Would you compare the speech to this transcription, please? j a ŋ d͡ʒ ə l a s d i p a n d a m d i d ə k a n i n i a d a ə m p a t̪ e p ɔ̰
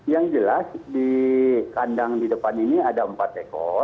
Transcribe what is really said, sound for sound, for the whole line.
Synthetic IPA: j a ŋ d͡ʒ ə l a s d i k a n d a ŋ d i d ə p a n i n i a d a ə m p a t̪ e k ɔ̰